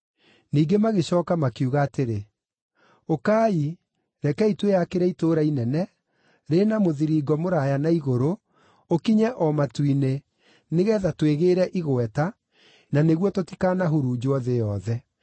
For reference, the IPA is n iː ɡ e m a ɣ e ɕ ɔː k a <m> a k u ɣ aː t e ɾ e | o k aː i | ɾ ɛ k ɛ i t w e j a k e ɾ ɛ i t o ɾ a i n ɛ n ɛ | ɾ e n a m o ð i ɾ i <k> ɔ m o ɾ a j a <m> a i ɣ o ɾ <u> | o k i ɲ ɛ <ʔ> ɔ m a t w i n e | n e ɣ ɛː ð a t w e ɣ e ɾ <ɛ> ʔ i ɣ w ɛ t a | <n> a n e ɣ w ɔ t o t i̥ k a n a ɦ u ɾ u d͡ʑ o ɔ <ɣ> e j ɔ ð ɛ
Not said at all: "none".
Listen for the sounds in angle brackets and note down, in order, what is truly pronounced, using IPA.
m, ɡ, n, o, ʔ, ɛ, n, ð

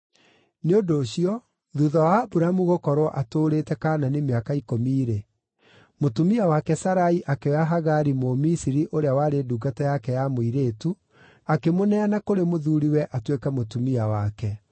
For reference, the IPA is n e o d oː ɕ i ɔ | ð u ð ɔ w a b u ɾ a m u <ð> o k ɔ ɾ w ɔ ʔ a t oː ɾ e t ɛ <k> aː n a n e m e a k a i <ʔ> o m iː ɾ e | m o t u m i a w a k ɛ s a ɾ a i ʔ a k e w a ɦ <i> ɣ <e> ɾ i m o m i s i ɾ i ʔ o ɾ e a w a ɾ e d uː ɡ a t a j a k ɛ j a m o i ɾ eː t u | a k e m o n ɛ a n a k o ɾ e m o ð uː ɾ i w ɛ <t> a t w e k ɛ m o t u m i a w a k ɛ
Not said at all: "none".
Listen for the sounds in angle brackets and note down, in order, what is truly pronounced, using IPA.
ɣ, k, k, a, a, ʔ

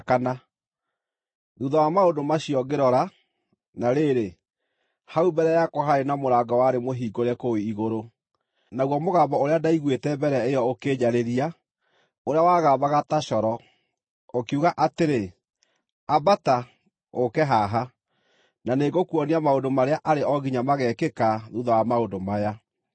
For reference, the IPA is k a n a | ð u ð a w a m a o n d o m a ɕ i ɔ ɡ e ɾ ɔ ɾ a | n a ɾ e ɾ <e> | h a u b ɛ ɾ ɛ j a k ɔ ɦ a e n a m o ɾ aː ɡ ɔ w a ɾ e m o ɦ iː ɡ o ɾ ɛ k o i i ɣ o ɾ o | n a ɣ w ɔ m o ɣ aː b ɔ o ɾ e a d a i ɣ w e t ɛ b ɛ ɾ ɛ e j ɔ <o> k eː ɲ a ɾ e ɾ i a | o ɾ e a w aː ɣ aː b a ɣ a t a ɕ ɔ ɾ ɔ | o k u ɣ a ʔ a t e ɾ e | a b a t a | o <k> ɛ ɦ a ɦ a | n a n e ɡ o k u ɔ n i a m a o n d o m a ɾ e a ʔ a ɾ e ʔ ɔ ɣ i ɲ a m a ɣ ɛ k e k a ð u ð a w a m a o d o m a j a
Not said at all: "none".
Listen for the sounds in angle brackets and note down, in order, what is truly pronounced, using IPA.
e, o, k

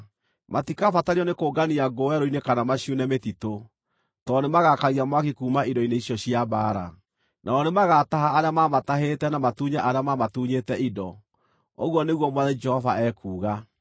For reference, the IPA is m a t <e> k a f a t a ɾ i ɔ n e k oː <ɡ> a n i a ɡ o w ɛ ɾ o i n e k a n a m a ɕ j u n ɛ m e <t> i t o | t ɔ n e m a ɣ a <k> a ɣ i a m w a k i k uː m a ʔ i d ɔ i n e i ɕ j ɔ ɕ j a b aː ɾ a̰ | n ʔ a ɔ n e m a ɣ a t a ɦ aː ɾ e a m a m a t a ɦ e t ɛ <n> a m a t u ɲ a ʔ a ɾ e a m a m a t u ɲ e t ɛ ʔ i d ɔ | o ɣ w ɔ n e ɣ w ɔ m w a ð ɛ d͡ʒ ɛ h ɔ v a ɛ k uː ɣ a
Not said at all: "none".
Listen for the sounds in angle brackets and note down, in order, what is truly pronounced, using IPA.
i, ɡ, t, k, n

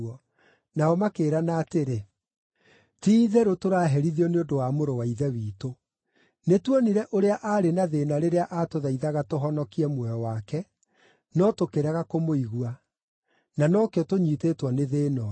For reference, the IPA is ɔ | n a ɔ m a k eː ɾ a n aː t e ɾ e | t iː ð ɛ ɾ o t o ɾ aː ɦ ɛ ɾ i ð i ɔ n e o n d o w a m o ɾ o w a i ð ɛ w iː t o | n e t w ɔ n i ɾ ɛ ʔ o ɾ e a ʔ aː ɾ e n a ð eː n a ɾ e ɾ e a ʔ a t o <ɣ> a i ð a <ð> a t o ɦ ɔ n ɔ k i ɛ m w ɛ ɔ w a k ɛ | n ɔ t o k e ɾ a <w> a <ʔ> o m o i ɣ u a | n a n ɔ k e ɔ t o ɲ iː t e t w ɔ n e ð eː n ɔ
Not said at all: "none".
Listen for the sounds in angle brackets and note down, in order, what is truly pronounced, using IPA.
ð, ɣ, ɣ, k

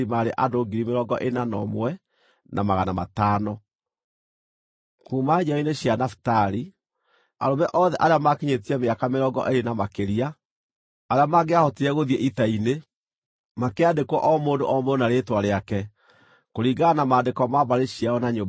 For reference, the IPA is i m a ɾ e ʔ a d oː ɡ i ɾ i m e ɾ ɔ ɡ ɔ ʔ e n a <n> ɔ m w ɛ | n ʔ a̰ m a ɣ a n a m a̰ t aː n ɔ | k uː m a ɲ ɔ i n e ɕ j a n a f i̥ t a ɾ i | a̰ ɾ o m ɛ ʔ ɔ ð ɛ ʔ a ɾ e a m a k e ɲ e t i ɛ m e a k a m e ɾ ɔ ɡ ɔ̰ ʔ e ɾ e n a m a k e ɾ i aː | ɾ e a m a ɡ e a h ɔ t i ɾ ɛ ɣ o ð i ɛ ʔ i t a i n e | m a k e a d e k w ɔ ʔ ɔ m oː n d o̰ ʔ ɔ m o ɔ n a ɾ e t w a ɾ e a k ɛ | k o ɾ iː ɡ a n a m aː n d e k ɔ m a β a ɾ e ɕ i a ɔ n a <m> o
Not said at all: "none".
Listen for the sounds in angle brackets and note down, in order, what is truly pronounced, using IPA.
n, ɲ

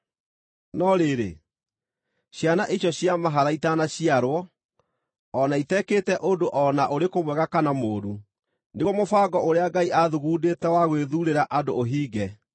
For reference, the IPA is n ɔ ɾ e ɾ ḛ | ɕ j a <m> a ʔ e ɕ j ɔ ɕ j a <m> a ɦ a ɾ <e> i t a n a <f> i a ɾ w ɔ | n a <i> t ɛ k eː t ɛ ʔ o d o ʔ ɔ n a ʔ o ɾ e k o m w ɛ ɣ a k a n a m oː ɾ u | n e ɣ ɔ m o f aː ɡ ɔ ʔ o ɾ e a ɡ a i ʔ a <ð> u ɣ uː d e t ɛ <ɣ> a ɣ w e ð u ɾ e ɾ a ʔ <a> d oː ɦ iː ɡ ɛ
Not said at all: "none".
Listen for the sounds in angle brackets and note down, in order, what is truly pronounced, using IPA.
n, m, a, ɕ, i, ð, w, a

